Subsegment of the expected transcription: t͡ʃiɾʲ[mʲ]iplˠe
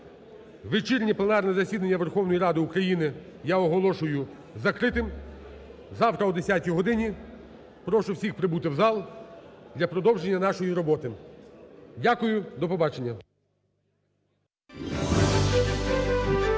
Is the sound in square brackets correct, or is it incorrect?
incorrect